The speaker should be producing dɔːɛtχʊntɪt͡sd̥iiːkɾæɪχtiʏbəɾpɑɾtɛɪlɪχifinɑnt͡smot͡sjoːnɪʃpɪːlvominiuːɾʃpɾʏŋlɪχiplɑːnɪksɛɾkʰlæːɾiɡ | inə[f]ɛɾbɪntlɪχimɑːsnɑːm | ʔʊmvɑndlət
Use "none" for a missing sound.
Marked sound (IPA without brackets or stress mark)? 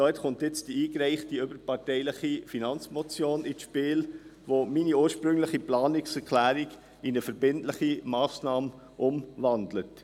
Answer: f